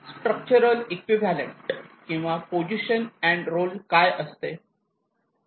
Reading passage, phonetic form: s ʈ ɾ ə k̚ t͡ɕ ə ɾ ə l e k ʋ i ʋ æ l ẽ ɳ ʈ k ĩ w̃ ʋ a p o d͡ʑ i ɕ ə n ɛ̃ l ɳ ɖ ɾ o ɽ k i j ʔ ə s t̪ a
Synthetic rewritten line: s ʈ ɾ ə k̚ t͡ɕ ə ɾ ə l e k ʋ i ʋ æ l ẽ ɳ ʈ k ĩ w̃ ʋ a p o d͡ʑ i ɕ ə n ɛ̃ ɳ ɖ ɾ o l k a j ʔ ə s t̪ e

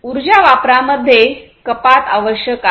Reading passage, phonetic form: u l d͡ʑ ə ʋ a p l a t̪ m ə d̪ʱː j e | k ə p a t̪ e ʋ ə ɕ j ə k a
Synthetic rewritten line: u ɾ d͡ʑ a ʋ a p ɾ a m ə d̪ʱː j e | k ə p a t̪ a ʋ ə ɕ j ə k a

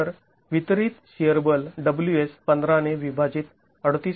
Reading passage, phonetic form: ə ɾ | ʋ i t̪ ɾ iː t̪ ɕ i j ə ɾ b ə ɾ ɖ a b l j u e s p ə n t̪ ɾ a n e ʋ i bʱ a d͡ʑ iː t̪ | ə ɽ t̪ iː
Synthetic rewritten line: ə ɾ | ʋ i t̪ ɾ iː t̪ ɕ i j ə ɾ b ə l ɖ ə b l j u e s p ə n d̪ ɾ a n e ʋ i bʱ a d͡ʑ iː t̪ | ə ɽ t̪ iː

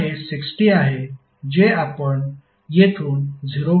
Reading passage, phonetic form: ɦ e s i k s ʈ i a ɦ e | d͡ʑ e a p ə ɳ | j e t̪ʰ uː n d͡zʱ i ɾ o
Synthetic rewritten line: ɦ e s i k s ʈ i a ɦ e | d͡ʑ e a p ə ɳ | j e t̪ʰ uː n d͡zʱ i ɾ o

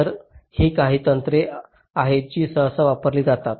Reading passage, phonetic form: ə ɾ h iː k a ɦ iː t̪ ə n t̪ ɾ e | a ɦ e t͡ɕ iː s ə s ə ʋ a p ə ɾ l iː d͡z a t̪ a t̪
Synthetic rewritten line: ə ɾ h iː k a ɦ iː t̪ ə n t̪ ɾ e | a ɦ e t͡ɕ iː s ə s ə ʋ a p ə ɾ l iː d͡z a t̪ a t̪

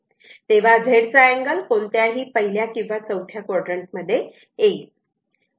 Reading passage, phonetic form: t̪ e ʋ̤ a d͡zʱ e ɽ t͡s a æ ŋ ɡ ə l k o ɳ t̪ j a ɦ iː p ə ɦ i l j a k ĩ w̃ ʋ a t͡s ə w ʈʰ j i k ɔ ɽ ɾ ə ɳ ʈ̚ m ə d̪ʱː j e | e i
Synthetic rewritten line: t̪ e ʋ̤ a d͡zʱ e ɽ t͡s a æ ŋ ɡ ə l k o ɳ t̪ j a ɦ iː p ə ɦ i l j a k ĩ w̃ ʋ a t͡s ə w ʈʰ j a k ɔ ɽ ɾ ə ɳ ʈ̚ m ə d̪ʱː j e | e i

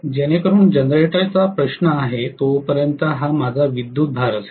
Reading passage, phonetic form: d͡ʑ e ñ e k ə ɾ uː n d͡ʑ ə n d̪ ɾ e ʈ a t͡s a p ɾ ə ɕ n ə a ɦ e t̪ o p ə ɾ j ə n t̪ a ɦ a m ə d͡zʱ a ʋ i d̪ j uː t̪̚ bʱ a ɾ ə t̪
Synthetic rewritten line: d͡ʑ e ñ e k ə ɾ uː n d͡ʑ ə n d̪ ɾ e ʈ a t͡s a p ɾ ə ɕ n ə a ɦ e t̪ o p ə ɾ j ə n t̪ ə ɦ a m a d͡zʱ a ʋ i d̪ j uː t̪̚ bʱ a ɾ ə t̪

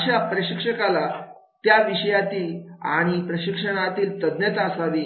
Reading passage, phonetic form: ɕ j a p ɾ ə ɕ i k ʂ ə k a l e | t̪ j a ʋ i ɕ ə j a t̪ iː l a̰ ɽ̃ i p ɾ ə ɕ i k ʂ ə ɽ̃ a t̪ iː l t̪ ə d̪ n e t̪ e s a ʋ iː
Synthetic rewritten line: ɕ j a p ɾ ə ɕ i k ʂ ə k a l a | t̪ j a ʋ i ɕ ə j a t̪ iː l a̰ ɽ̃ i p ɾ ə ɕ i k ʂ ə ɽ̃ a t̪ iː l t̪ ə d̪ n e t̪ a s a ʋ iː

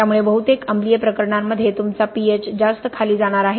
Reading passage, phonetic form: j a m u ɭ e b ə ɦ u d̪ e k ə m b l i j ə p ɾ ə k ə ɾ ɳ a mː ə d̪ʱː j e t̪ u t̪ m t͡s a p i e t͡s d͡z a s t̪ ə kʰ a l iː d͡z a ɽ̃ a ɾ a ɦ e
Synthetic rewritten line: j a m u ɭ e b ə ɦ u t̪ e k ə m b l i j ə p ɾ ə k ə ɾ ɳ a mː ə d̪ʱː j e t̪ u m t͡s a p i e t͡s d͡z a s t̪ ə kʰ a l iː d͡z a ɽ̃ a ɾ a ɦ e

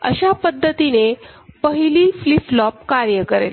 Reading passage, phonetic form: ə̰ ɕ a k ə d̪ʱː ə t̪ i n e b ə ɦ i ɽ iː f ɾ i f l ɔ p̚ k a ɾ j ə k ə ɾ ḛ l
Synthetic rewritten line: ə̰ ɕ a p ə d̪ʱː ə t̪ i n e p ə ɦ i l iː f l i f l ɔ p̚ k a ɾ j ə k ə ɾ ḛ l

